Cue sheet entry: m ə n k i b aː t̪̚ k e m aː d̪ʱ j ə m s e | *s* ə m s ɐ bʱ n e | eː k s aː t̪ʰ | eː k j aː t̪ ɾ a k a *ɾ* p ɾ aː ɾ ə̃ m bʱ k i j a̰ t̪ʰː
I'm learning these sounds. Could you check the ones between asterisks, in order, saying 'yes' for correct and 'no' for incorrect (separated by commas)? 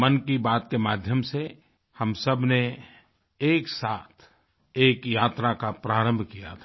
no, no